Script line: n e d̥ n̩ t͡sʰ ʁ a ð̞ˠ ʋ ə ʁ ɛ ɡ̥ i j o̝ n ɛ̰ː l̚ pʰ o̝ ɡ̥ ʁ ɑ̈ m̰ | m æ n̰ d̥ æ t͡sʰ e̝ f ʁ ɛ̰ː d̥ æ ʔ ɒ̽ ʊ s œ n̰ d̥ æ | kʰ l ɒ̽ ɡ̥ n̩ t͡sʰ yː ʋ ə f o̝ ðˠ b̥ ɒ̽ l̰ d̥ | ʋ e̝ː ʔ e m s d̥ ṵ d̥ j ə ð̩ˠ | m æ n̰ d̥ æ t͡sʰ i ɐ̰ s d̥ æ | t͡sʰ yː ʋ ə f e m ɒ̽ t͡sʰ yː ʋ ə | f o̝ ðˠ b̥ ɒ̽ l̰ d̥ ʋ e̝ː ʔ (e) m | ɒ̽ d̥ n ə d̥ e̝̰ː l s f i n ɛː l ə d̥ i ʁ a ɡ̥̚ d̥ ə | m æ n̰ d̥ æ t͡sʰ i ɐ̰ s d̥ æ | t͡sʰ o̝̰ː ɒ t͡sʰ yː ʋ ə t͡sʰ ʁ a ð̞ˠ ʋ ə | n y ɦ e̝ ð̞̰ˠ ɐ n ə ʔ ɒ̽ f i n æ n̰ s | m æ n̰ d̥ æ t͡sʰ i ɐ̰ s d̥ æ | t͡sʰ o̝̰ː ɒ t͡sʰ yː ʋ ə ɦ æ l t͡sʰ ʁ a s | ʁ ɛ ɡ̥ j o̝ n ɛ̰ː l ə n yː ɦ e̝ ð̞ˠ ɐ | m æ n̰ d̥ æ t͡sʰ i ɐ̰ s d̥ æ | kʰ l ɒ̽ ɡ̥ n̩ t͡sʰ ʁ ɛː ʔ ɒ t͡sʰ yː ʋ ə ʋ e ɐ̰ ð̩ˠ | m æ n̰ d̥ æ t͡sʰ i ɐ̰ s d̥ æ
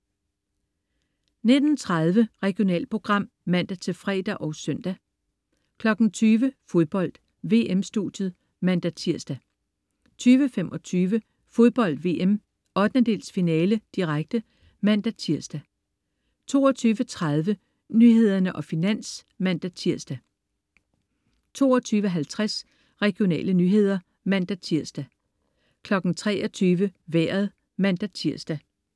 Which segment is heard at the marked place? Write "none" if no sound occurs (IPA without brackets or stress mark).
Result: e